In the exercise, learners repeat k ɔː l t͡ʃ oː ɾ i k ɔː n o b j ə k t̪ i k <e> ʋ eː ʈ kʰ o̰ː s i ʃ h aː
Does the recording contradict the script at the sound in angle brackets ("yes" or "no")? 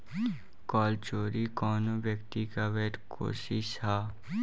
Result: yes